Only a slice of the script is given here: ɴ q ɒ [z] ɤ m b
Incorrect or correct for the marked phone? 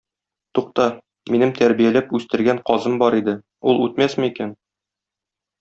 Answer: correct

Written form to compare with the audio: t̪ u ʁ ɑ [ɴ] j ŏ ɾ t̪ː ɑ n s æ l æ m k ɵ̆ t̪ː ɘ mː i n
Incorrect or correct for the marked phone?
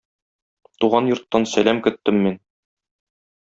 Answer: incorrect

